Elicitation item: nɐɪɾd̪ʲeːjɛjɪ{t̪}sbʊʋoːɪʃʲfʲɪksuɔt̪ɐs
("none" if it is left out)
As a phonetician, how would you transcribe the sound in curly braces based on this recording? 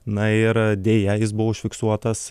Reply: none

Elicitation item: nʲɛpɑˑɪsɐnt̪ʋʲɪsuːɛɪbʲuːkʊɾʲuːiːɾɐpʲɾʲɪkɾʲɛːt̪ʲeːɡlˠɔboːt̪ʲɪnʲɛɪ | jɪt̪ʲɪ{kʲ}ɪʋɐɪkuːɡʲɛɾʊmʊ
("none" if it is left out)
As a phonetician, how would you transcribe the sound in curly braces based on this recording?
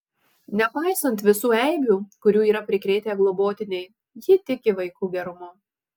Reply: kʲ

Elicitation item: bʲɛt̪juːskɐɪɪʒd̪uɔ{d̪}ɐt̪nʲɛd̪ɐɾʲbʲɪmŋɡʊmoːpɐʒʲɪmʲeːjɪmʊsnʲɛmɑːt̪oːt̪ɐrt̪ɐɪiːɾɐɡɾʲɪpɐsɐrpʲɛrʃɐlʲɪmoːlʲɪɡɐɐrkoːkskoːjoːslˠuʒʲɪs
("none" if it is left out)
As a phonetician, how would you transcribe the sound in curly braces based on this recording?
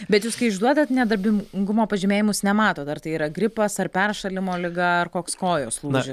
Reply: d̪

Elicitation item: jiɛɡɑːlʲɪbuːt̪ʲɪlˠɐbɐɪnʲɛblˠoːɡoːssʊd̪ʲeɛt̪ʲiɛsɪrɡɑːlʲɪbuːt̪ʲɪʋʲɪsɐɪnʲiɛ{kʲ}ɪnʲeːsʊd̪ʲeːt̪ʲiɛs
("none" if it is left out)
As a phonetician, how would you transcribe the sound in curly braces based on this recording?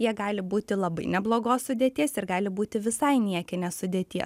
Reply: kʲ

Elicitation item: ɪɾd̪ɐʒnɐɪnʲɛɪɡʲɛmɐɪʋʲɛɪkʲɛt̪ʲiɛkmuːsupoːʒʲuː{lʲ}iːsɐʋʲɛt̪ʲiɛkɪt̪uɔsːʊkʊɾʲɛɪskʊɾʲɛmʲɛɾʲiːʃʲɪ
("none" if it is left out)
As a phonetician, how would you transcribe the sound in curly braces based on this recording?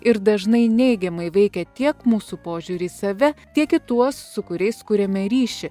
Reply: ɾʲ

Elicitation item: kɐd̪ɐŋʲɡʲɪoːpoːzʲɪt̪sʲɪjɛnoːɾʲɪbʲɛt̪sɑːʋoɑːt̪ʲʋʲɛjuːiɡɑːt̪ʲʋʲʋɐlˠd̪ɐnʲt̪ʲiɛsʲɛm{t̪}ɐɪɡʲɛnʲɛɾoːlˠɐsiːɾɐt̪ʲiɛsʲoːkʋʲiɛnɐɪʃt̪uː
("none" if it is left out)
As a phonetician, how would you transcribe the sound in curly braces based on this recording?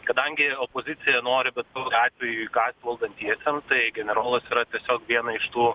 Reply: t̪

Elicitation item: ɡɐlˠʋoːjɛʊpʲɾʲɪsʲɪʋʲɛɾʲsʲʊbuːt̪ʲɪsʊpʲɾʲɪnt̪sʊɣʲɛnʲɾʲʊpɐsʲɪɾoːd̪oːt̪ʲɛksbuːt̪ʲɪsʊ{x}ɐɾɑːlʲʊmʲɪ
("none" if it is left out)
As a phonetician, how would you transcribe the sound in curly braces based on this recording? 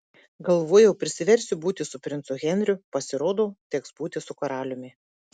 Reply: k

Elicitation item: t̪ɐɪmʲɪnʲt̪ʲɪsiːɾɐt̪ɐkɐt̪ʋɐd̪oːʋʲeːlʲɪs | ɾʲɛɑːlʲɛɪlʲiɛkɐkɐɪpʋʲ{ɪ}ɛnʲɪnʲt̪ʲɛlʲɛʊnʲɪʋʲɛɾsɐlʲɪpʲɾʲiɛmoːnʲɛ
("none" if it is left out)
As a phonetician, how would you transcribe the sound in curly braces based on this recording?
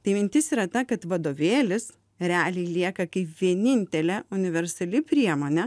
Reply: i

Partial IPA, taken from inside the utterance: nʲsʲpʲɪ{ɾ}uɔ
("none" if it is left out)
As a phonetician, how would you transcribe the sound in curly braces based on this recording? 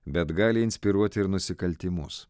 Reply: ɾ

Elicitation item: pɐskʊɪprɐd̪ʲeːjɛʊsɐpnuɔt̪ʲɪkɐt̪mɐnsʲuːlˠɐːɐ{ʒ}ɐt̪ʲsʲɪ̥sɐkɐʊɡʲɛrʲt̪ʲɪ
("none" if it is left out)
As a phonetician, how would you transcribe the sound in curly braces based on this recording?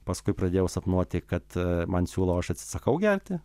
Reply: ʃ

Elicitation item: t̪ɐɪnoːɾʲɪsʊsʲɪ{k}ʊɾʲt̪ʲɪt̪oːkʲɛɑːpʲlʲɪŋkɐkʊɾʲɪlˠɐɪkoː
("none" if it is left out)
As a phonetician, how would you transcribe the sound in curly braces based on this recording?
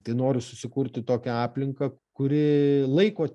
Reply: k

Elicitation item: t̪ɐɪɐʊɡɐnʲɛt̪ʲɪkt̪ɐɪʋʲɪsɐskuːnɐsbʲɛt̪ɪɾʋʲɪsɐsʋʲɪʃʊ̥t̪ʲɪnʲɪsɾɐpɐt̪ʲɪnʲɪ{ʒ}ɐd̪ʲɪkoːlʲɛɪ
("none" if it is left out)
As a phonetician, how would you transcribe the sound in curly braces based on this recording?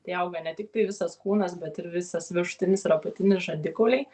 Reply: ʒ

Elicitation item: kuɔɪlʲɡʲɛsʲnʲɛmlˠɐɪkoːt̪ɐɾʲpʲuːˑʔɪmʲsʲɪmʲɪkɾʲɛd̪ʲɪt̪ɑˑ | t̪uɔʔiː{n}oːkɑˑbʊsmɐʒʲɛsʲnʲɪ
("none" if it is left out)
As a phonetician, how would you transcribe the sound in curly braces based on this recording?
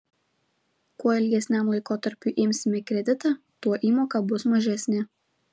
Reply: m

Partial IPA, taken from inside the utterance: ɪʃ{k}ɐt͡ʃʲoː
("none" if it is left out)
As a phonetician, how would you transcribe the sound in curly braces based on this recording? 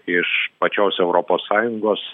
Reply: p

